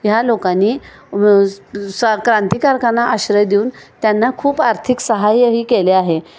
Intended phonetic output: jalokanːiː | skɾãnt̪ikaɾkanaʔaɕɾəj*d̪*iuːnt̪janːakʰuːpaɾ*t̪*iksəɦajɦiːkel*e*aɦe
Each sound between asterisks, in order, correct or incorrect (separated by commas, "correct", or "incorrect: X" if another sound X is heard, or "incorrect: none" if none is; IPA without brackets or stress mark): correct, incorrect: t̪ʰ, correct